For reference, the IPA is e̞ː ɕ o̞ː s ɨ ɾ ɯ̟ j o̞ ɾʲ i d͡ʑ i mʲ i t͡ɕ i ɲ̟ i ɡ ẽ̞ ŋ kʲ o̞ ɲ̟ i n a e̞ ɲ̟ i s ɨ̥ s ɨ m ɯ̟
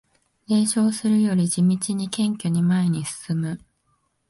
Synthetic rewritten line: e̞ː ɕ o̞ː s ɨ ɾ ɯ̟ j o̞ ɾʲ i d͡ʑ i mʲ i t͡ɕ i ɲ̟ i k ẽ̞ ŋ kʲ o̞ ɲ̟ i m a e̞ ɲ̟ i s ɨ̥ s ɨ m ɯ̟